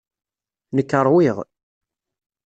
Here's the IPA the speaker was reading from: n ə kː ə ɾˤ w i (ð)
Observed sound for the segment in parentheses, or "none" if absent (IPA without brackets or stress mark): ʁ